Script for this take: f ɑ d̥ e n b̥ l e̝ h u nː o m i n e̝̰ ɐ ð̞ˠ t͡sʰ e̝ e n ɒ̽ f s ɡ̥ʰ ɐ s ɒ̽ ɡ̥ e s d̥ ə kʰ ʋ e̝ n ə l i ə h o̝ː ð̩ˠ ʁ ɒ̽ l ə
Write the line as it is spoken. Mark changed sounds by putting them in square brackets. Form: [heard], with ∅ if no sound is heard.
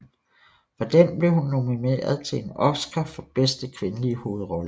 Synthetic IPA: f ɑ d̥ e n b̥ l e̝ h u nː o m i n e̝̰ ɐ ð̞ˠ t͡sʰ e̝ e n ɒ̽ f s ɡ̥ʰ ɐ [f] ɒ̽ [b̥] e s d̥ ə kʰ ʋ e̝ n ə l i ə h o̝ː ð̩ˠ ʁ ɒ̽ l ə